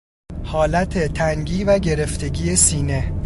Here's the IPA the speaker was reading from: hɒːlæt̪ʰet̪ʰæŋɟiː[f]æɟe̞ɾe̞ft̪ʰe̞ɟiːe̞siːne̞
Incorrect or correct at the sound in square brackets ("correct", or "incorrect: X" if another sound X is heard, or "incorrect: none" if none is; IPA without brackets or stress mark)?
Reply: incorrect: v